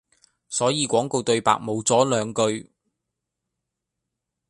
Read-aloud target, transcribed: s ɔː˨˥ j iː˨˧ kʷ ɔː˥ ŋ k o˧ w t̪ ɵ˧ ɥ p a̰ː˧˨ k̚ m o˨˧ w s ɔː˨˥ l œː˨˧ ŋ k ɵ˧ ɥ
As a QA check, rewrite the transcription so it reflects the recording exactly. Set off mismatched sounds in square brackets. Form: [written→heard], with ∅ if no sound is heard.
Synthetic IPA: s ɔː˨˥ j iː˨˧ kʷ [ɔː˥→ɔː˨˥] ŋ k o˧ w t̪ ɵ˧ ɥ p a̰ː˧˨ k̚ m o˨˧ w [s→t͡s] ɔː˨˥ l œː˨˧ ŋ k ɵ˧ ɥ